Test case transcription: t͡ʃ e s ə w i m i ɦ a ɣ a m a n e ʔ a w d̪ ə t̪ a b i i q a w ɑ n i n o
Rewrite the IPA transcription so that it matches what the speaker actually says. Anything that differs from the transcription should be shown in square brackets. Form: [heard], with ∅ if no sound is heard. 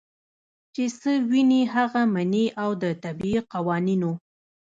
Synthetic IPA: t͡ʃ e s ə w i [n] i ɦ a ɣ a m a n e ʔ a w d̪ ə t̪ a b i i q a w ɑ n i n o